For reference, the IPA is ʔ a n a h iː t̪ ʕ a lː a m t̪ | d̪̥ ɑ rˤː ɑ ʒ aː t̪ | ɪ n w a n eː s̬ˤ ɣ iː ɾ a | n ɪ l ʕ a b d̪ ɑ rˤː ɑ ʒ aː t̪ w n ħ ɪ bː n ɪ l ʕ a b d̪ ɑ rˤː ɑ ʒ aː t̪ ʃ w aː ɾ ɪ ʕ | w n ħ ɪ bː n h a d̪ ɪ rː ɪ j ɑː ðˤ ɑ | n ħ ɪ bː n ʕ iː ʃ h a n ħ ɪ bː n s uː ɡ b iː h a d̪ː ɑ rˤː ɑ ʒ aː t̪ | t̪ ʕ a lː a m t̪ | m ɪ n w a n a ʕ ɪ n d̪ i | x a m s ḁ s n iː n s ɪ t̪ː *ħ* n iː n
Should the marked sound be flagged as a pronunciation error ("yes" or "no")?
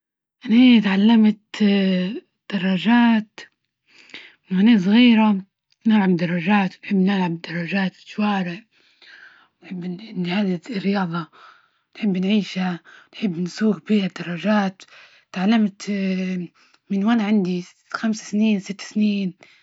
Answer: yes